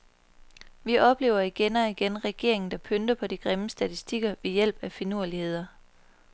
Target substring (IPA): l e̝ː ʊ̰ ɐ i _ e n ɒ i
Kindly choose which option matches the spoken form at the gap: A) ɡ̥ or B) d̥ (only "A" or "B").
A